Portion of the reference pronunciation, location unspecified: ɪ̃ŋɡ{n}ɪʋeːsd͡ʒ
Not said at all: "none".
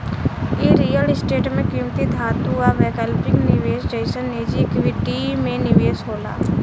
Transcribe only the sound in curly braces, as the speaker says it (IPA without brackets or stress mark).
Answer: n